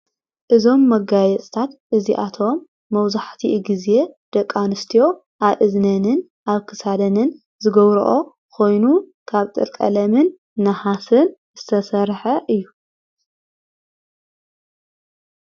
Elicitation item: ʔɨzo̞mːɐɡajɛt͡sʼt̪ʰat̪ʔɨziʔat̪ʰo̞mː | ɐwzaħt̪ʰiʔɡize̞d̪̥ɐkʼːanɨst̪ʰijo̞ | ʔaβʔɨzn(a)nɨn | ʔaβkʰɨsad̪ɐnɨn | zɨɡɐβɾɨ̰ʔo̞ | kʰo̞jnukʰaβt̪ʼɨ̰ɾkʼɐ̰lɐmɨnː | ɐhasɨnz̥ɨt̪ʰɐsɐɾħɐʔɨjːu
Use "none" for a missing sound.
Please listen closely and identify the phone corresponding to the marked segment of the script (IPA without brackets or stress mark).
ɐ